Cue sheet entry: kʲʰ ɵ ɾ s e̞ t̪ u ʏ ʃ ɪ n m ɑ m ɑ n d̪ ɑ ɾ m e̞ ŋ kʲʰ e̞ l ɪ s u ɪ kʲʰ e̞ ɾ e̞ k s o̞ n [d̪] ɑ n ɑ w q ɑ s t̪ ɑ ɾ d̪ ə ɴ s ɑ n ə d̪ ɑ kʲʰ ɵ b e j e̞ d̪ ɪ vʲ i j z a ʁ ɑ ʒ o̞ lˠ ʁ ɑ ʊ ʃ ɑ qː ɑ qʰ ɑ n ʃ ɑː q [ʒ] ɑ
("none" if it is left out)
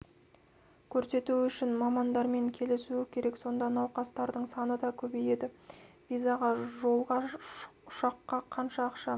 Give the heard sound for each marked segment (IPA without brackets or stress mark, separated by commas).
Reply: d̪, ʃ